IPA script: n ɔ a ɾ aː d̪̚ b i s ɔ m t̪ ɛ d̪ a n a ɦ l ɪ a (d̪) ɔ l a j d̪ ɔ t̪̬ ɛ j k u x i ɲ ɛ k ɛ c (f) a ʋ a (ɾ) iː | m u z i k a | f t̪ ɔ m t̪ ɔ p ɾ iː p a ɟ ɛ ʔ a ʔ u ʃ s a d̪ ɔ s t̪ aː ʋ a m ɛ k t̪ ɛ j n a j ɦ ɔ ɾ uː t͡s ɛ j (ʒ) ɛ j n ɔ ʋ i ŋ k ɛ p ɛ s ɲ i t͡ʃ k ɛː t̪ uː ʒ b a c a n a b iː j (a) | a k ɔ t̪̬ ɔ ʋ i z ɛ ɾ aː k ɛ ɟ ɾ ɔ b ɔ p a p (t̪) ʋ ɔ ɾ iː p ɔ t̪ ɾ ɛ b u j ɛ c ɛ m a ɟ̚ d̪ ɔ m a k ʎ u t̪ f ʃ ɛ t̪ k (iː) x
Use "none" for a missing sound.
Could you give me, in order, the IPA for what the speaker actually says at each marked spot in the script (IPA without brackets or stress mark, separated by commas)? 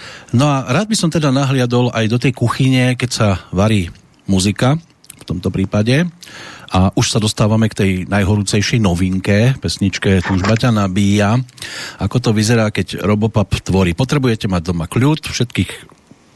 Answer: d̪, s, ɾ, ʃ, a, t̪, iː